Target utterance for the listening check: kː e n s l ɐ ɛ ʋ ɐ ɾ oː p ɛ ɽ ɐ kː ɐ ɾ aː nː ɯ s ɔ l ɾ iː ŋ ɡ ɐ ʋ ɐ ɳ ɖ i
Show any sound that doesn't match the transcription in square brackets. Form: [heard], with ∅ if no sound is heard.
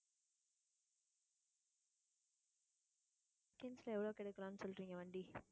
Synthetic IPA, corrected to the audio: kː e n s l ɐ ɛ ʋ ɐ [ɭ] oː [k] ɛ ɽ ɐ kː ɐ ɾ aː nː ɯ s ɔ l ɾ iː ŋ ɡ ɐ ʋ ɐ ɳ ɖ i